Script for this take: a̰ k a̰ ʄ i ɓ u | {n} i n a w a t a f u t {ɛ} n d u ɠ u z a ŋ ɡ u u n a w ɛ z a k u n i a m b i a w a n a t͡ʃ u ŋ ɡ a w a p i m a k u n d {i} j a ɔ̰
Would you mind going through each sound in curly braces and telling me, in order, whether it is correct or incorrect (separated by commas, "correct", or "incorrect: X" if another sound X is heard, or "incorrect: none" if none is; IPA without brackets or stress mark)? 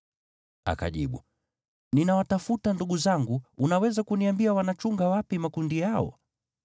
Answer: correct, incorrect: a, correct